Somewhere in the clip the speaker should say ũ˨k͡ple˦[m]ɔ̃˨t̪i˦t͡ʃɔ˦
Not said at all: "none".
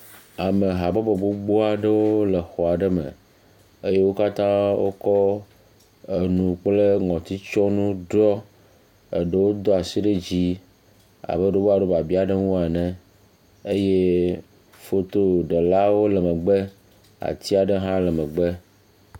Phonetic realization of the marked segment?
ŋ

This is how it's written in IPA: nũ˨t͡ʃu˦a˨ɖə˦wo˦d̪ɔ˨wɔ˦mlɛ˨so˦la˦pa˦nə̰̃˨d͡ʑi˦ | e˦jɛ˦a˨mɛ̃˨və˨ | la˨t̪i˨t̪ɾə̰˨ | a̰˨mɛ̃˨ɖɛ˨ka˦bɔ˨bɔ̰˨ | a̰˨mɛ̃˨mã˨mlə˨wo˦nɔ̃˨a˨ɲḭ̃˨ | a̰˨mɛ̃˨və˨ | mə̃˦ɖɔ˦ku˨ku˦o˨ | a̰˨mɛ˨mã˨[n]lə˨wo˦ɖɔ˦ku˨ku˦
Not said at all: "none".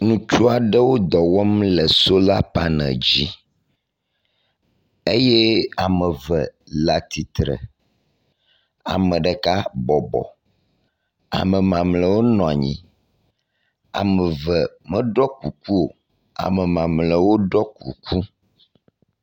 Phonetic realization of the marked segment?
m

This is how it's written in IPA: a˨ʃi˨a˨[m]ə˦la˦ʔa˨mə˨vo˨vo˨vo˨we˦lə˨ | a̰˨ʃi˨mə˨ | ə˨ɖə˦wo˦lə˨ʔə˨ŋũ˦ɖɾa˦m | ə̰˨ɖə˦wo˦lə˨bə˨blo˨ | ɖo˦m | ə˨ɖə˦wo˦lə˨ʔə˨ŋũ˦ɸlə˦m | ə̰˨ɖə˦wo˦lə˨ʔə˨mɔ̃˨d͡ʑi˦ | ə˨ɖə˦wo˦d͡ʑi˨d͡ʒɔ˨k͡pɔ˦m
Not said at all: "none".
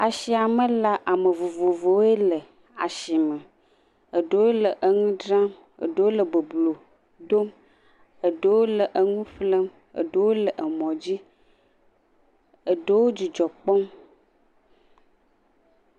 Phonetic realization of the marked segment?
m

